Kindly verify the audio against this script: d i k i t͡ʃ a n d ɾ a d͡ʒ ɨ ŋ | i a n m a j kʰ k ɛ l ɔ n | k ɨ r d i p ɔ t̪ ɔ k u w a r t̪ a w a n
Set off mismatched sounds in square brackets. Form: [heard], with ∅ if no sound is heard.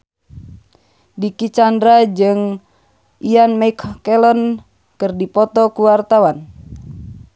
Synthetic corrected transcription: d i k i t͡ʃ a n d ɾ a d͡ʒ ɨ ŋ | i a n m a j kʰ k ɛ l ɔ n | k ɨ r d i p ɔ t̪ ɔ k u w a r t̪ a w a n